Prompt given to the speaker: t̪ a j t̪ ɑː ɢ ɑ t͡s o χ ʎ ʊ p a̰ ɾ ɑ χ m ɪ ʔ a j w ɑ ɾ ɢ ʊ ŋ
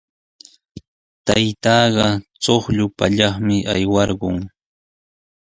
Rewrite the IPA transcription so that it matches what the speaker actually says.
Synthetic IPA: t̪ a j t̪ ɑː ɢ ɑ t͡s o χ ʎ ʊ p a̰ ʎ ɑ χ m ɪ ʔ a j w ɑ ɾ ɢ ʊ ŋ